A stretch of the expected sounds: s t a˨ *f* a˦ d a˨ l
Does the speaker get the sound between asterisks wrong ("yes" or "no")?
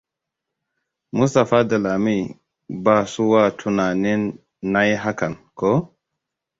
no